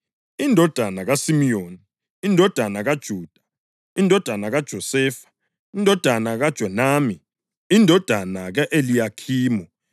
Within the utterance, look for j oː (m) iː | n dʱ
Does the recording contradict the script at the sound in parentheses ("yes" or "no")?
yes